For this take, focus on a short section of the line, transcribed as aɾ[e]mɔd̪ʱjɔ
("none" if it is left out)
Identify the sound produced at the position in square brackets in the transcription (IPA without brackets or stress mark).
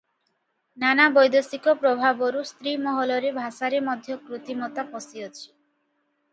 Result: e